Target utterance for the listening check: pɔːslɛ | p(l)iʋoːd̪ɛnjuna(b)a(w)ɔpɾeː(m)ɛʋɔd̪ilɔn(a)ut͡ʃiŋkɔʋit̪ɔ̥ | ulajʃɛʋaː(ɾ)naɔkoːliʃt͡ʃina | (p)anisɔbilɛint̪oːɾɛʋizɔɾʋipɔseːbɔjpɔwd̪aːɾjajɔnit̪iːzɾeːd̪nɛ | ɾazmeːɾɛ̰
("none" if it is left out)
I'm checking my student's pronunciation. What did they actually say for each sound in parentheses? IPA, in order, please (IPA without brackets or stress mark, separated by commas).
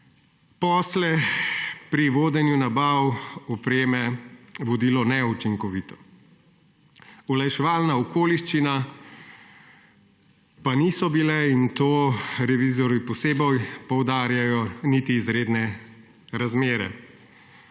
ɾ, b, w, m, ɛ, l, p